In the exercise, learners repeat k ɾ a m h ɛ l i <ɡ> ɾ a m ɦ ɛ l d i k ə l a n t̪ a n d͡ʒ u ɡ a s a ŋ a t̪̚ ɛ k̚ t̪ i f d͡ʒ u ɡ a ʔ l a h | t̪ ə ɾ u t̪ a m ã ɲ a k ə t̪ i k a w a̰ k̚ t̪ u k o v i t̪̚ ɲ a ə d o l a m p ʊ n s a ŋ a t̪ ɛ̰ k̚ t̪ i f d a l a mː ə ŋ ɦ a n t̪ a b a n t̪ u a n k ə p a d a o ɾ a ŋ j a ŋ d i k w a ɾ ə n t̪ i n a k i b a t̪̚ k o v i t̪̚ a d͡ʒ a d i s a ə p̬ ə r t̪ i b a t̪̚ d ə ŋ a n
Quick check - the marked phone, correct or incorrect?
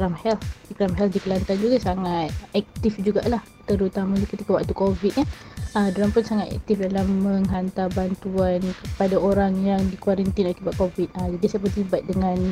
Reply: incorrect